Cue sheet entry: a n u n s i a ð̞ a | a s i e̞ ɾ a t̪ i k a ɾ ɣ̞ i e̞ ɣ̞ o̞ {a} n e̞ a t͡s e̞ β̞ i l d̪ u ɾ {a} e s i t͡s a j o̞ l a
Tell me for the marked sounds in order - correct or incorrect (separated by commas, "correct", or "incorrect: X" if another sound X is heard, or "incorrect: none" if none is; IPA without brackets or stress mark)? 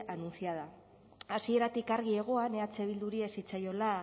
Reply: correct, incorrect: i